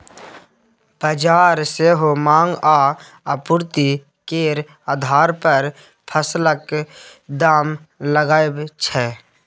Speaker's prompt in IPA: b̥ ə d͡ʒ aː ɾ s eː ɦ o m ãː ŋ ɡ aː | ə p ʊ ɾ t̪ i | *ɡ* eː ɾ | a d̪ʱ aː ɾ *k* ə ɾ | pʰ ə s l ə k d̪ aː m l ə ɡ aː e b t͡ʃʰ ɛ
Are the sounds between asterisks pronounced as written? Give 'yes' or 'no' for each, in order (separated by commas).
no, no